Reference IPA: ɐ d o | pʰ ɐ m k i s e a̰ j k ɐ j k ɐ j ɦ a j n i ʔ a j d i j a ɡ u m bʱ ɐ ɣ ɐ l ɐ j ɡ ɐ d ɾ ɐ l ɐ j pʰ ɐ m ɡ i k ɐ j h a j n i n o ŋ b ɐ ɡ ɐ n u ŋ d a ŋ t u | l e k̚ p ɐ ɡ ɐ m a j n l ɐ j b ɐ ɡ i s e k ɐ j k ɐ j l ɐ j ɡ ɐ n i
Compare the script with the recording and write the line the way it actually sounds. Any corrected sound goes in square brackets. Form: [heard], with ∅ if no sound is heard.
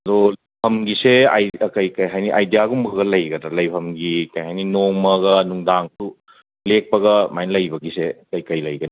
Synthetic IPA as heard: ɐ d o | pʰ ɐ m [ɡ] i s e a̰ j k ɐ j k ɐ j ɦ a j n i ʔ a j d i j a ɡ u m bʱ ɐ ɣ ɐ l ɐ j ɡ ɐ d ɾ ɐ l ɐ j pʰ ɐ m ɡ i k ɐ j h a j n i n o ŋ [m] ɐ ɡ ɐ n u ŋ d a ŋ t u | l e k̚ p ɐ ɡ ɐ m a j n l ɐ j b ɐ ɡ i s e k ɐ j k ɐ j l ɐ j ɡ ɐ n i

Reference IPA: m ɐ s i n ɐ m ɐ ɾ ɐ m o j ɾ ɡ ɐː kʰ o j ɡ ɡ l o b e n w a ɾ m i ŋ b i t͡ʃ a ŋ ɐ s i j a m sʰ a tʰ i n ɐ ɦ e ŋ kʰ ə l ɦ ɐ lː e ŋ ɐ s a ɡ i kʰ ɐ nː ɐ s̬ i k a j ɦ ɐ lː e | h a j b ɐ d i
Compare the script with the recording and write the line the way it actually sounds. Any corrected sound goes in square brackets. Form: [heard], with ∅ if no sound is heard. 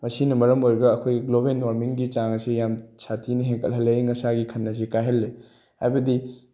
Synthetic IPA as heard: m ɐ s i n ɐ m ɐ ɾ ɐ m o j ɾ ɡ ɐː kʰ o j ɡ ɡ l o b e n w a ɾ m i ŋ [ɡ] i t͡ʃ a ŋ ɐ s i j a m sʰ a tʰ i n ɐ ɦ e ŋ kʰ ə l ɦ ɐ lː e ŋ ɐ s a ɡ i kʰ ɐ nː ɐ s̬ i k a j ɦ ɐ lː e | h a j b ɐ d i

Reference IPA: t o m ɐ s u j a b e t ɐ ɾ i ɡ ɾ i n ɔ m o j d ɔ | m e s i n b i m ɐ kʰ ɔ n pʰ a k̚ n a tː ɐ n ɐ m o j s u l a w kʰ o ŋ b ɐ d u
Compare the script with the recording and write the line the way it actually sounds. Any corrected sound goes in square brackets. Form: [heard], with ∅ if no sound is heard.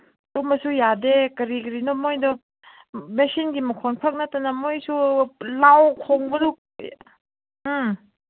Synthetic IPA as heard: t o m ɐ s u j a [d] e [k] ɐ ɾ i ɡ ɾ i n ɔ m o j d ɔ | m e s i n [ɡ] i m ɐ kʰ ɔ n pʰ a k̚ n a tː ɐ n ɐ m o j s u l a w kʰ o ŋ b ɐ d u

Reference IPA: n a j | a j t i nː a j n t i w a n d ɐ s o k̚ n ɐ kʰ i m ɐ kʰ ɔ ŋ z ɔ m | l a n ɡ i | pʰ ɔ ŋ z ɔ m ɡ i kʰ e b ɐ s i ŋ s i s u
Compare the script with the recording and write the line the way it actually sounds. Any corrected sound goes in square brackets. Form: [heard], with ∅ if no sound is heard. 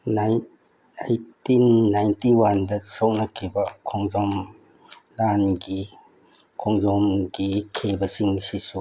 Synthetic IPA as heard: n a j | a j t i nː a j n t i w a n d ɐ s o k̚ n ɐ kʰ i [b] ɐ kʰ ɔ ŋ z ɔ m | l a n ɡ i | [kʰ] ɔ ŋ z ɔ m ɡ i kʰ e b ɐ s i ŋ s i s u

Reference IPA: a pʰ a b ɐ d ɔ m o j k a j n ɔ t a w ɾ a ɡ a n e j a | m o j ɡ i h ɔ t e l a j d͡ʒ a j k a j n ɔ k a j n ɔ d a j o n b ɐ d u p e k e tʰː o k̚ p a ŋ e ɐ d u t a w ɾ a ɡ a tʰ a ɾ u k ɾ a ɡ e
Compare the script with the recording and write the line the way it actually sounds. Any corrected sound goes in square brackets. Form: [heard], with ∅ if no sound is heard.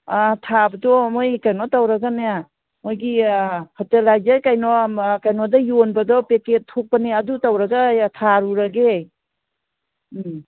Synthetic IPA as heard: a [tʰ] a b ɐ d ɔ m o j k a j n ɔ t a w ɾ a ɡ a n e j a | m o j ɡ i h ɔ t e l a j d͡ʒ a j k a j n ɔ k a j n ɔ d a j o n b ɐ d [ɔ] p e k e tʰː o k̚ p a [n] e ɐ d u t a w ɾ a ɡ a tʰ a ɾ u [∅] ɾ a ɡ e

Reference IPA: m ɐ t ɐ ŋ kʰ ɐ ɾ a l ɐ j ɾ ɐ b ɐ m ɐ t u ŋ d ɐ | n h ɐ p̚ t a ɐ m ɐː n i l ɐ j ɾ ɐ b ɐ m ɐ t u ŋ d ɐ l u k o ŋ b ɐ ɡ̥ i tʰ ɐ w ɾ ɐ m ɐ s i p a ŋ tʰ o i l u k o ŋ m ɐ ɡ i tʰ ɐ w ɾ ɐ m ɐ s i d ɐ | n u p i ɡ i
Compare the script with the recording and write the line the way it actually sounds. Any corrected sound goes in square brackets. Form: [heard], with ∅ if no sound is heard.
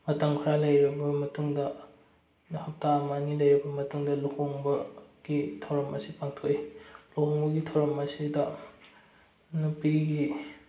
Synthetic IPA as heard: m ɐ t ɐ ŋ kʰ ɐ ɾ a l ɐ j ɾ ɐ b ɐ m ɐ t u ŋ d ɐ | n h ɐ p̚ t a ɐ m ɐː n i l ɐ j ɾ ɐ b ɐ m ɐ t u ŋ d ɐ l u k o ŋ b ɐ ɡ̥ i tʰ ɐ w ɾ ɐ m ɐ s i p a ŋ tʰ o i l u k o ŋ [b] ɐ ɡ i tʰ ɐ w ɾ ɐ m ɐ s i d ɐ | n u p i ɡ i

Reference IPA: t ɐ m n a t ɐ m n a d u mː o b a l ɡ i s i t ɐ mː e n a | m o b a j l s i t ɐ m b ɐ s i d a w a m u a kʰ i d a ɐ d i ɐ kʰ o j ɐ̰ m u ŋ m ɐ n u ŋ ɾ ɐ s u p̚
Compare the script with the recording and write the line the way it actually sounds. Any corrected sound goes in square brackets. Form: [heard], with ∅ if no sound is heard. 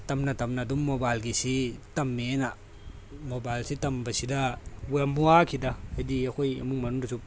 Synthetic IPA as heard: t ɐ m n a t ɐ m n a d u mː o b a l ɡ i s i t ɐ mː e n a | m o b a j l s i t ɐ m b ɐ s i d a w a m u a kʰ i d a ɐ d i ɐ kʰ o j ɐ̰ m u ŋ m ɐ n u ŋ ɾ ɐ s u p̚

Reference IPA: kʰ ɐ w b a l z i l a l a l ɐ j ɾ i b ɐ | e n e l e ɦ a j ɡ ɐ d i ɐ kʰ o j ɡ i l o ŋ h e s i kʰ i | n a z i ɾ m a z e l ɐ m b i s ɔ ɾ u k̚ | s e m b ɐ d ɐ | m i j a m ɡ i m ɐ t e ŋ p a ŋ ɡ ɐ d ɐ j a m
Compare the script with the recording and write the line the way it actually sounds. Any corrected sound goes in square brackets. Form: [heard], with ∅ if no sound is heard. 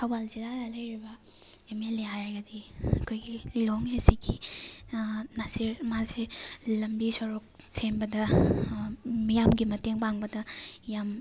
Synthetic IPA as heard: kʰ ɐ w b a l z i l a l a l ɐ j ɾ i b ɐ | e [m] e l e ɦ a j ɡ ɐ d i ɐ kʰ o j ɡ i l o ŋ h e s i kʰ i | n a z i ɾ m a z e l ɐ m b i s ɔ ɾ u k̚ | s e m b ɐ d ɐ | m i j a m ɡ i m ɐ t e ŋ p a ŋ [b] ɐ d ɐ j a m

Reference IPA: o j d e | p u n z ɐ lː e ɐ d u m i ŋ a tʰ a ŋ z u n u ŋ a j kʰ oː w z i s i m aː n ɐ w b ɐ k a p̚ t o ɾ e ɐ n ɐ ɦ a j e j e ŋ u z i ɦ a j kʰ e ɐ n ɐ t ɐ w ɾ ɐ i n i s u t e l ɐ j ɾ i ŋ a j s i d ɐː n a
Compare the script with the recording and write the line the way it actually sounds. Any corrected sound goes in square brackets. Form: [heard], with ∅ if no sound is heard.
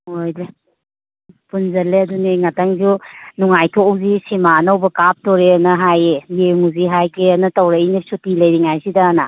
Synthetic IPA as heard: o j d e | p u n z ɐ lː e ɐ d u [n] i ŋ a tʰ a ŋ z u n u ŋ a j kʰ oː w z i s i m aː n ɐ w b ɐ k a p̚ t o ɾ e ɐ n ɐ ɦ a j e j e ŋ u z i ɦ a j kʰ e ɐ n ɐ t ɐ w ɾ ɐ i n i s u t [i] l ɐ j ɾ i ŋ a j s i d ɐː n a

